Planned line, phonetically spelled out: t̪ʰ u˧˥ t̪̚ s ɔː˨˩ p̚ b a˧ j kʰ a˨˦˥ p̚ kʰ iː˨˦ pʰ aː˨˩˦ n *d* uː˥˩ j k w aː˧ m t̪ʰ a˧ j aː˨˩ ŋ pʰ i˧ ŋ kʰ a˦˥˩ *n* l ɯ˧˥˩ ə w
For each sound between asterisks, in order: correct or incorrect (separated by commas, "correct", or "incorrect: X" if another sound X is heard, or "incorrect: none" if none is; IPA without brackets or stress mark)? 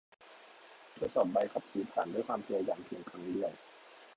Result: correct, incorrect: ŋ